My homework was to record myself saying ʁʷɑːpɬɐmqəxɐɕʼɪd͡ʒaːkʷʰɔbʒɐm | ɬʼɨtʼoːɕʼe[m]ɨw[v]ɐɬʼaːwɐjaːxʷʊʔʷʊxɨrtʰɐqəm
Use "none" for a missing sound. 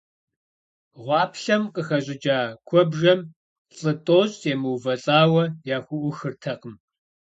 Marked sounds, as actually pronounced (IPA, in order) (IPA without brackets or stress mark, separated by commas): m, v